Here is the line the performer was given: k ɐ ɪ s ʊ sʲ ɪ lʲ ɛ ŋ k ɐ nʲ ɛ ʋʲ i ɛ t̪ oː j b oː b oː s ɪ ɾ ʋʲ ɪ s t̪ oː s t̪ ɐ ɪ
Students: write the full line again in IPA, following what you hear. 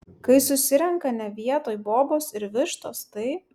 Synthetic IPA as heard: k ɐ ɪ s ʊ sʲ ɪ ɾʲ ɛ ŋ k ɐ nʲ ɛ ʋʲ i ɛ t̪ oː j b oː b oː s ɪ ɾ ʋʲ ɪ ʃ t̪ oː s t̪ ɐ ɪ

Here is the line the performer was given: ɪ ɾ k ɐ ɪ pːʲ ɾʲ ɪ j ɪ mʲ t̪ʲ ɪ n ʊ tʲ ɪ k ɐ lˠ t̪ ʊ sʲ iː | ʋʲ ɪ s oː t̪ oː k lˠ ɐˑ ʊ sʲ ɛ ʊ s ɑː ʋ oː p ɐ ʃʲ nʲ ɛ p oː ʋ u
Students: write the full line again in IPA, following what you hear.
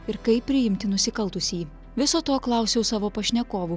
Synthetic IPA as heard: ɪ ɾ k ɐ ɪ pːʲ ɾʲ ɪ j ɪ mʲ t̪ʲ ɪ n ʊ sʲ ɪ k ɐ lˠ t̪ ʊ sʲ iː | ʋʲ ɪ s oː t̪ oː k lˠ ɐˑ ʊ sʲ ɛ ʊ s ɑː ʋ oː p ɐ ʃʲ nʲ ɛ k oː ʋ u

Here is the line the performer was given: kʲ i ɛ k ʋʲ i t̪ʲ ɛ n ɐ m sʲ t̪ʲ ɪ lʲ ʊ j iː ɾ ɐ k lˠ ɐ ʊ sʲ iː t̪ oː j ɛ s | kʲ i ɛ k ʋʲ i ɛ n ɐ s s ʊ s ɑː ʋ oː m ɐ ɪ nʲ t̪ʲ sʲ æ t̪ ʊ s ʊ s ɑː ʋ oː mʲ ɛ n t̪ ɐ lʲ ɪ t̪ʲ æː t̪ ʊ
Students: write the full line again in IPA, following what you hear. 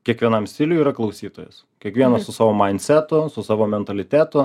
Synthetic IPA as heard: kʲ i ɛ k ʋʲ i ɛ n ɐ m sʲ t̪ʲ ɪ lʲ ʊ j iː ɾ ɐ k lˠ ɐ ʊ sʲ iː t̪ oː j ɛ s | kʲ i ɛ k ʋʲ i ɛ n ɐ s s ʊ s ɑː ʋ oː m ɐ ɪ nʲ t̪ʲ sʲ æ t̪ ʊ s ʊ s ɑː ʋ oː mʲ ɛ n t̪ ɐ lʲ ɪ t̪ʲ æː t̪ ʊ

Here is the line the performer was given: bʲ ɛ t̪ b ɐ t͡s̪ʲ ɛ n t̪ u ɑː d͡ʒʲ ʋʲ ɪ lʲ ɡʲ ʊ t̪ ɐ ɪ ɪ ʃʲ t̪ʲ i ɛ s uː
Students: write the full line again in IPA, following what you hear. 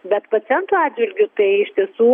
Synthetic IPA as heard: bʲ ɛ t̪ p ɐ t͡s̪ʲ ɛ n t̪ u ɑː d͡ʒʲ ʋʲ ɪ lʲ ɡʲ ʊ t̪ ɐ ɪ ɪ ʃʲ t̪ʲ i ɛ s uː

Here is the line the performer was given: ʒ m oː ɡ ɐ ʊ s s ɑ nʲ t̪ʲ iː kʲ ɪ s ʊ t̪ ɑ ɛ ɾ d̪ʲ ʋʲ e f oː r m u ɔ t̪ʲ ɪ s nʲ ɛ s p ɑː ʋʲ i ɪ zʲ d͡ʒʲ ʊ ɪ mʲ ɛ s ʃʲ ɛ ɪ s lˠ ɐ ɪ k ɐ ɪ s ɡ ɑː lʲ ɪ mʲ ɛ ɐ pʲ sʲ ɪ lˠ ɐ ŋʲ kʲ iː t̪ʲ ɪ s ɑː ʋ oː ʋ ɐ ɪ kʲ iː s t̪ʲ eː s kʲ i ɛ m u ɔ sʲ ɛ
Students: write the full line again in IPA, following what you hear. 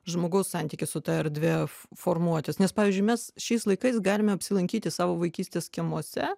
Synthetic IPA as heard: ʒ m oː ɡ ɐ ʊ s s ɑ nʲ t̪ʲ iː kʲ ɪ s ʊ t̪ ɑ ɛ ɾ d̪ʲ ʋʲ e f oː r m u ɔ t̪ʲ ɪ s nʲ ɛ s p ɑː ʋʲ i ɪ zʲ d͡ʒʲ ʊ ɪ mʲ ɛ s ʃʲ ɛ ɪ s lˠ ɐ ɪ k ɐ ɪ s ɡ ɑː lʲ ɪ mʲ ɛ ɐ pʲ sʲ ɪ lˠ ɐ ŋʲ kʲ iː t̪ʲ ɪ s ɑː ʋ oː ʋ ɐ ɪ kʲ iː s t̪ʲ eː s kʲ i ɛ m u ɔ sʲ ɛ

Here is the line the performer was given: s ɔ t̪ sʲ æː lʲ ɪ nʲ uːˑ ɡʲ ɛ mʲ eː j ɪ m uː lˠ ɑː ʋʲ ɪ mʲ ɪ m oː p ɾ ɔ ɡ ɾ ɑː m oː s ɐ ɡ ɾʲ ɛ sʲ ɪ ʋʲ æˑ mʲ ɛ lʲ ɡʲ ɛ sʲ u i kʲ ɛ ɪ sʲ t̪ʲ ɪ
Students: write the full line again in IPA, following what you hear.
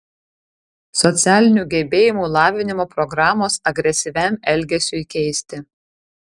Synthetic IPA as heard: s ɔ t̪ sʲ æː lʲ ɪ nʲ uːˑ ɡʲ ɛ bʲ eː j ɪ m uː lˠ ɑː ʋʲ ɪ nʲ ɪ m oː p ɾ ɔ ɡ ɾ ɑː m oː s ɐ ɡ ɾʲ ɛ sʲ ɪ ʋʲ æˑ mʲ ɛ lʲ ɡʲ ɛ sʲ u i kʲ ɛ ɪ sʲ t̪ʲ ɪ

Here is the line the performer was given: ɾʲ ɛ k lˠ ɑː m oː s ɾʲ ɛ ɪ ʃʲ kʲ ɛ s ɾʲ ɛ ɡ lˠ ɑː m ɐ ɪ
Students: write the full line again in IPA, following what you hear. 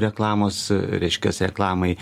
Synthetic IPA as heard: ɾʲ ɛ k lˠ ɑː m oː s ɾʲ ɛ ɪ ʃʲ kʲ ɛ s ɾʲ ɛ k lˠ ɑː m ɐ ɪ

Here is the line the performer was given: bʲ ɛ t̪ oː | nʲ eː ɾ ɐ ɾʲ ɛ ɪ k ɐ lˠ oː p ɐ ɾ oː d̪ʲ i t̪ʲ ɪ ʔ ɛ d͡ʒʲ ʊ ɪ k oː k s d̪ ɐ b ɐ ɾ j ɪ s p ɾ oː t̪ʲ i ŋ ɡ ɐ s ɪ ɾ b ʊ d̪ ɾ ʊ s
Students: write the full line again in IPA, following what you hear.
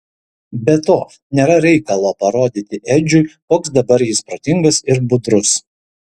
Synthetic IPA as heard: bʲ ɛ t̪ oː | nʲ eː ɾ ɐ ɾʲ ɛ ɪ k ɐ lˠ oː p ɐ ɾ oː d̪ʲ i t̪ʲ ɪ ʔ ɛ d͡ʒʲ ʊ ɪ k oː k s d̪ ɐ b ɐ ɾ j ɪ s p ɾ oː t̪ʲ ɪ ŋ ɡ ɐ s ɪ ɾ b ʊ d̪ ɾ ʊ s

